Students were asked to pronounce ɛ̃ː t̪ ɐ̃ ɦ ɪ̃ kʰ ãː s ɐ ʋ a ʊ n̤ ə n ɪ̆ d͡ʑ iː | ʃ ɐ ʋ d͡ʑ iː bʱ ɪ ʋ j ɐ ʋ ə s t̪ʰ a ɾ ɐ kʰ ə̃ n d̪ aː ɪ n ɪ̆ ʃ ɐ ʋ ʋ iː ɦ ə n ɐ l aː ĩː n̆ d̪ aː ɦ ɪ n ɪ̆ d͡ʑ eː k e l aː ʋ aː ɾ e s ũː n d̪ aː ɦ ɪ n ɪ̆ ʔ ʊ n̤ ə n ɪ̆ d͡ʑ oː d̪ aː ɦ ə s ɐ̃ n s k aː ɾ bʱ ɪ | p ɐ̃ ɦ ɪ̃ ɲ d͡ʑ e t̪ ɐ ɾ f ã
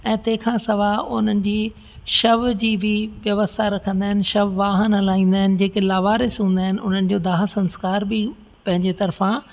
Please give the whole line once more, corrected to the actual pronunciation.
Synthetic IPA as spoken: ɛ̃ː t̪ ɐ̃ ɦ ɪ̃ kʰ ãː s ɐ ʋ a ʊ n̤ ə n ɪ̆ d͡ʑ iː | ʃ ɐ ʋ d͡ʑ iː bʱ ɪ ʋ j ɐ ʋ ə s t̪ʰ a ɾ ɐ kʰ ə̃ n d̪ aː ɪ n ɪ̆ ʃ ɐ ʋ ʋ aː ɦ ə n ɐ l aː ĩː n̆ d̪ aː ɦ ɪ n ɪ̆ d͡ʑ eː k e l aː ʋ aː ɾ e s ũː n d̪ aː ɦ ɪ n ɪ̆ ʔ ʊ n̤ ə n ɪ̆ d͡ʑ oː d̪ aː ɦ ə s ɐ̃ n s k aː ɾ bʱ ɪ | p ɐ̃ ɦ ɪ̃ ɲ d͡ʑ e t̪ ɐ ɾ f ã